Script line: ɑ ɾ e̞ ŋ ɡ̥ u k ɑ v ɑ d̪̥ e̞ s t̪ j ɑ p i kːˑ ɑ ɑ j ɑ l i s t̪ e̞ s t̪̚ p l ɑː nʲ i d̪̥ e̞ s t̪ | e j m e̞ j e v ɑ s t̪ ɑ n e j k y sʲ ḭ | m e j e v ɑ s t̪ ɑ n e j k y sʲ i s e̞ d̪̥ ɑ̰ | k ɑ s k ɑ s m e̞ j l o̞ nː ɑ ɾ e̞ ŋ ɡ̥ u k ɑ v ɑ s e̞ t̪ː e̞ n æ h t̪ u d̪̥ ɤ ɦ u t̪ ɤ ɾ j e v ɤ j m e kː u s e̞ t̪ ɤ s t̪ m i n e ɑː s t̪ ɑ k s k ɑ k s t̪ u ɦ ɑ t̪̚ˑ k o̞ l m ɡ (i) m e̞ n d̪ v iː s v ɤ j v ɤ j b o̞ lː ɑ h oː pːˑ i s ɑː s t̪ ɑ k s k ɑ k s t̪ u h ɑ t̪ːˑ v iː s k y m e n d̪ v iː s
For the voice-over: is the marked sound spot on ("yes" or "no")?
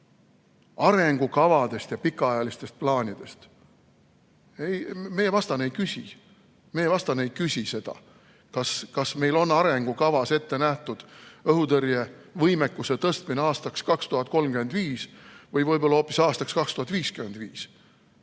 no